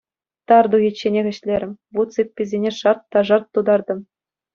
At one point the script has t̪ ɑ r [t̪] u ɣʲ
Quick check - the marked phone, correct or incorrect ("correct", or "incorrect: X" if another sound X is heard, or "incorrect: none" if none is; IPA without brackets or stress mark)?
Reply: incorrect: d̪